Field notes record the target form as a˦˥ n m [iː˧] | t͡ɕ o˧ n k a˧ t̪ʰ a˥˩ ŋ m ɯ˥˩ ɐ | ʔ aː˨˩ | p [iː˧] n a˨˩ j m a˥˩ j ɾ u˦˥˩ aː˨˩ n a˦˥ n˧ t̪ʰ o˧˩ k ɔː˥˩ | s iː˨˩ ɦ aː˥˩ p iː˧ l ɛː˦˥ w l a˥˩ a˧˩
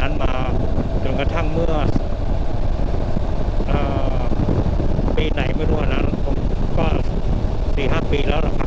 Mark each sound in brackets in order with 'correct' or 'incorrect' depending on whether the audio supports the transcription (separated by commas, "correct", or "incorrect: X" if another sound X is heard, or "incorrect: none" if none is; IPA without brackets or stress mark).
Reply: incorrect: aː˧, correct